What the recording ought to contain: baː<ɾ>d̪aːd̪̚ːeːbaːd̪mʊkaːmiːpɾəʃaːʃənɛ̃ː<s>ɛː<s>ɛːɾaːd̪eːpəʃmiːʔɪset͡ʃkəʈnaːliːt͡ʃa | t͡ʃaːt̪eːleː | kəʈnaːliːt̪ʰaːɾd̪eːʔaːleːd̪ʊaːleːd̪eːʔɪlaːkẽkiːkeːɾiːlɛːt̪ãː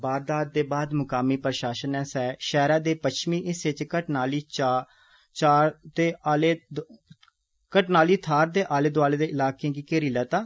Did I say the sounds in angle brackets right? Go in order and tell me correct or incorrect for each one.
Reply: correct, correct, incorrect: ʃ

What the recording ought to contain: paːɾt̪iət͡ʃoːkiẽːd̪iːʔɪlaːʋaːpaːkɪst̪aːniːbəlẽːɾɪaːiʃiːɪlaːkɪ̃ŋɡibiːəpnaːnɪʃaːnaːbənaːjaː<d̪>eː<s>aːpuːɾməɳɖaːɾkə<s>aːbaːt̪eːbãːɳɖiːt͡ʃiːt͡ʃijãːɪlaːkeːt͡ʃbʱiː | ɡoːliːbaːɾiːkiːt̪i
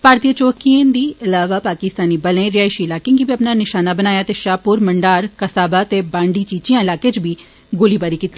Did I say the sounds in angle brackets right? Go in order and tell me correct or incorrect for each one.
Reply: incorrect: t̪, incorrect: ʃ, correct

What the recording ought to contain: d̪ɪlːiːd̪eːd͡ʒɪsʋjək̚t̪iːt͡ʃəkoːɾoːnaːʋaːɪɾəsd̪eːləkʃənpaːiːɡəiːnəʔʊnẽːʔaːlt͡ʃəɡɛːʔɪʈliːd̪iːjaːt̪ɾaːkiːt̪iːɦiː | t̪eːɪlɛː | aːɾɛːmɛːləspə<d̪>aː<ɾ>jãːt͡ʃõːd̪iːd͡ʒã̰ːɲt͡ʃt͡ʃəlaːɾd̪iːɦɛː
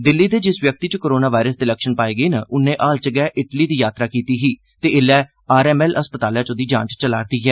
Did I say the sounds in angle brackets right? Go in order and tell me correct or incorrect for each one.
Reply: incorrect: t̪, incorrect: l

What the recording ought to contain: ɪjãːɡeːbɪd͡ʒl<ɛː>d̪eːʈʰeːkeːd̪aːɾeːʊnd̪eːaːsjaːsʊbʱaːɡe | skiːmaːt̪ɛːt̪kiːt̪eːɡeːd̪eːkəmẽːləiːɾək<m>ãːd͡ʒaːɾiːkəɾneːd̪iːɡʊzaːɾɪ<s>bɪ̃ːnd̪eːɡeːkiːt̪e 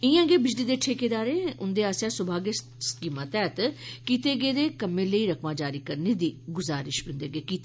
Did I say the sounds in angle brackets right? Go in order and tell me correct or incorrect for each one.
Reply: incorrect: iː, correct, incorrect: ʃ

